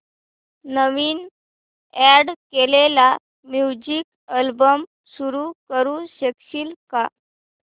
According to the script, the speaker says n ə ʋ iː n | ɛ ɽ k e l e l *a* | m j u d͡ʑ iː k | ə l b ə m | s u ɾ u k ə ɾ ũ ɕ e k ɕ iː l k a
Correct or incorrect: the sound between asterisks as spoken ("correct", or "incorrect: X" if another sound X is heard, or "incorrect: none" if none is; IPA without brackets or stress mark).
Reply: correct